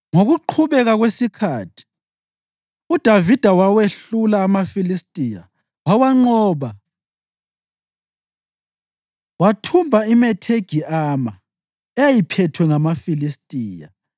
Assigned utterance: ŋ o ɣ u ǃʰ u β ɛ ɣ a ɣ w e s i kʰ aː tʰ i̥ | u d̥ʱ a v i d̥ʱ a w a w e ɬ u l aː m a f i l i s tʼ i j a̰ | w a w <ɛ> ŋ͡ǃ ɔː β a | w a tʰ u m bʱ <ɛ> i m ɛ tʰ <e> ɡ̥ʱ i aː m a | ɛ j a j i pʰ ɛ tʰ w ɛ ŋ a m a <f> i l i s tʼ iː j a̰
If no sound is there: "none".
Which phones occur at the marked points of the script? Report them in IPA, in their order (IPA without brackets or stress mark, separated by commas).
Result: a, a, e, f